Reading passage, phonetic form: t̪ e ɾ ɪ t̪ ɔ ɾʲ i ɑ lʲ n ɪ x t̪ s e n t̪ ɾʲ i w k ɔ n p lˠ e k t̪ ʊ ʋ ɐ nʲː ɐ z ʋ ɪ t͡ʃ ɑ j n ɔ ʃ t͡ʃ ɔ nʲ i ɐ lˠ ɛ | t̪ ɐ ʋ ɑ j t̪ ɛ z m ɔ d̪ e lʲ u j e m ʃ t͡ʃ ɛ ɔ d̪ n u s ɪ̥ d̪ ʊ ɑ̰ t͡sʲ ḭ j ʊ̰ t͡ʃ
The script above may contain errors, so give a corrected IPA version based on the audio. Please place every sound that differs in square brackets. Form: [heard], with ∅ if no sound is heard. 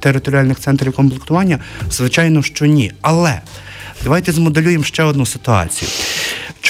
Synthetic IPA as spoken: t̪ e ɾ ɪ t̪ ɔ ɾʲ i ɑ lʲ n ɪ x t̪ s [ɛ] n t̪ ɾʲ i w k ɔ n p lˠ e k t̪ ʊ ʋ [ɑ] nʲː ɐ z ʋ ɪ t͡ʃ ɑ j n ɔ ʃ t͡ʃ ɔ nʲ i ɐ lˠ ɛ | [d̪] ɐ ʋ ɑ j t̪ ɛ z m ɔ d̪ e lʲ u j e m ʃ t͡ʃ ɛ ɔ d̪ n u s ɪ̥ [t̪] ʊ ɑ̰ t͡sʲ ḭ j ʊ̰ t͡ʃ